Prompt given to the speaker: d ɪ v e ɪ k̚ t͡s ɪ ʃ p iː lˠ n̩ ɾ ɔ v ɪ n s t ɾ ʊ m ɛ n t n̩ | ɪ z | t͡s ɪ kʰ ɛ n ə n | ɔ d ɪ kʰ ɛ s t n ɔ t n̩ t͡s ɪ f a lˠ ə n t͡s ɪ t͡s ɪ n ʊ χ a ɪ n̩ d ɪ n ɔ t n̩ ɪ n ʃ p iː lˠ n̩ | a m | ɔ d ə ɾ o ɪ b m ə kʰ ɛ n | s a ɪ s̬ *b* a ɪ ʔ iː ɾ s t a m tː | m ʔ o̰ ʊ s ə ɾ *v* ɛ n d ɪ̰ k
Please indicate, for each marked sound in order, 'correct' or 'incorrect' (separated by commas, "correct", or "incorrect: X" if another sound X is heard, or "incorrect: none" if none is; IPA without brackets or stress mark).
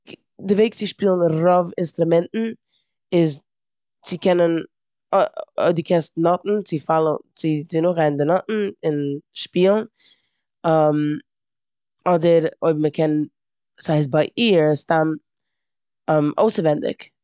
correct, correct